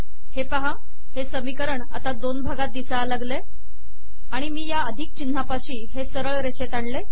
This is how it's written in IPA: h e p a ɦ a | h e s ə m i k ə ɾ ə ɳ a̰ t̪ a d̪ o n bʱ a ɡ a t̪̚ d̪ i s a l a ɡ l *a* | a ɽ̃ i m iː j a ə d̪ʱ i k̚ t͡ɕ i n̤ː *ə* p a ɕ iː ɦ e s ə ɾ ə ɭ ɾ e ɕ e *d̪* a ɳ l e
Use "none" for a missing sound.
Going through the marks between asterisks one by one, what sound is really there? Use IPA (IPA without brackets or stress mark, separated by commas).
e, a, t̪